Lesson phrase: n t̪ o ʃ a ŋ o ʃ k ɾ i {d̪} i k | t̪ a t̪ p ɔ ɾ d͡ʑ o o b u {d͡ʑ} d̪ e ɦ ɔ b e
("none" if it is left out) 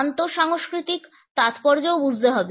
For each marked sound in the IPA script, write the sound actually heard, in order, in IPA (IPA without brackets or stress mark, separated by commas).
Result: t̪, d͡ʑ